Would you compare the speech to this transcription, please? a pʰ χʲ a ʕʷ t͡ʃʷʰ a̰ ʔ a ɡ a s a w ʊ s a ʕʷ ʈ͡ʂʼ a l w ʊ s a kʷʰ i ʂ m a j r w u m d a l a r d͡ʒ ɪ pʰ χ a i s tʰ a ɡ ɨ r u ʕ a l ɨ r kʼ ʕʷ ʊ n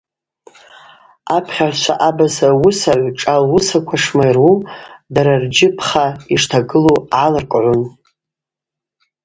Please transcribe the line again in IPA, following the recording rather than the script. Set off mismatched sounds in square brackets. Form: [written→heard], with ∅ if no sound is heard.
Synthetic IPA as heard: a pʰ χʲ a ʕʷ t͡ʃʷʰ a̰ ʔ a [ɡ→b] a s a w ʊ s a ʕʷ ʈ͡ʂʼ a l w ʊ s a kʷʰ [i→a] ʂ m a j r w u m d a [l→ɾ] a r d͡ʒ ɪ pʰ χ a i [s→ʂ] tʰ a ɡ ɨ [r→l] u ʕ a l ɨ r kʼ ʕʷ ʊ n